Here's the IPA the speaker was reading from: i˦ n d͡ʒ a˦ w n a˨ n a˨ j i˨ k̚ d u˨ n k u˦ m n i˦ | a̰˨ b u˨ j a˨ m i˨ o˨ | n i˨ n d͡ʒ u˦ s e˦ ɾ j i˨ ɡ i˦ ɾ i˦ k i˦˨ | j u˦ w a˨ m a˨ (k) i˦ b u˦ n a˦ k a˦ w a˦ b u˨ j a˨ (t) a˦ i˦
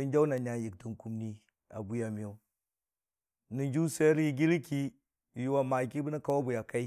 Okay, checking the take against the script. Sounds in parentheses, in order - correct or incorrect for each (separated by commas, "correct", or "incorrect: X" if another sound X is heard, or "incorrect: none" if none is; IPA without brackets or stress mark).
correct, incorrect: k